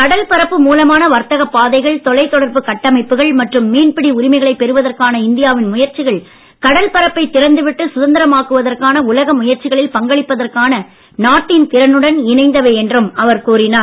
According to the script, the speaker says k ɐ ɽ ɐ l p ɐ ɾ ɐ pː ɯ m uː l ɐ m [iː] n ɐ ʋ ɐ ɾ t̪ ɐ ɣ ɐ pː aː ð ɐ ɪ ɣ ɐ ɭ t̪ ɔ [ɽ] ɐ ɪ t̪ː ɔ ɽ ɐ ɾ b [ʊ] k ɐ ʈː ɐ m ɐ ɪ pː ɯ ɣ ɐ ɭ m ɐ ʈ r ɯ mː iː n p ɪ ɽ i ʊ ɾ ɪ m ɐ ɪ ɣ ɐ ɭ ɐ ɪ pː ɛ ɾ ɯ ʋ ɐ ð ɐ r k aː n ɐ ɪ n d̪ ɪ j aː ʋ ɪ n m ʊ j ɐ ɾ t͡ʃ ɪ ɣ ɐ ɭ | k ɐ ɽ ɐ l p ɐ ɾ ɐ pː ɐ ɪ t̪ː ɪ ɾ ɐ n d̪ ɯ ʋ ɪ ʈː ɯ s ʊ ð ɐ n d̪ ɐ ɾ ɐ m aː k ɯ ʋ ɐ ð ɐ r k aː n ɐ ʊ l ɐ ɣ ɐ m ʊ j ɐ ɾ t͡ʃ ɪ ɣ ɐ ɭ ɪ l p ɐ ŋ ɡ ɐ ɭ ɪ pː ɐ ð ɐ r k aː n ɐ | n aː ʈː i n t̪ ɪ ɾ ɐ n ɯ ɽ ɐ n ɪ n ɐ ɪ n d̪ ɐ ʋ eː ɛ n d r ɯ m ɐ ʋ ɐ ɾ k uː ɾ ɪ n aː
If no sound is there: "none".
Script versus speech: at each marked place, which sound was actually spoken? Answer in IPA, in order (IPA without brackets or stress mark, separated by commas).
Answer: aː, l, ɯ